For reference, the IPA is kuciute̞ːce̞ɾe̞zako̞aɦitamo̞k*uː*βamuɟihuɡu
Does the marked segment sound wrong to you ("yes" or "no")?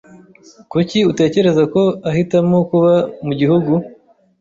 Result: yes